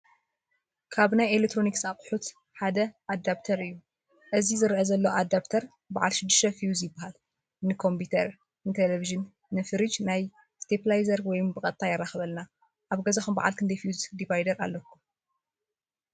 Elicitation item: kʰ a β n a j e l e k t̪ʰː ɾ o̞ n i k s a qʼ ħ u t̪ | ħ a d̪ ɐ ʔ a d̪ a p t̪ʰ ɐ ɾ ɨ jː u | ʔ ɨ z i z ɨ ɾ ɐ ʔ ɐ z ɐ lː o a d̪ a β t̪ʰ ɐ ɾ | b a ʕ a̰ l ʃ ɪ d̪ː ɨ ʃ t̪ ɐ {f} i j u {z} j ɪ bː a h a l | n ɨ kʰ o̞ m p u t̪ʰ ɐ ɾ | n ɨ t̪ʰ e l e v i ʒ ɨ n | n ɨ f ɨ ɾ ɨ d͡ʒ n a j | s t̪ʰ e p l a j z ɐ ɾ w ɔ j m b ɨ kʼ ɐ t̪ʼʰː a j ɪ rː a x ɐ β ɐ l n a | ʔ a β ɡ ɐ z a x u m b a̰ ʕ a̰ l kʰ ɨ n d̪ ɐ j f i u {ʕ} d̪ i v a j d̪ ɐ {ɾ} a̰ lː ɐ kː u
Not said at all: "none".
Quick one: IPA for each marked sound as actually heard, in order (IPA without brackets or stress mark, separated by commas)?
f, z, z, ɾ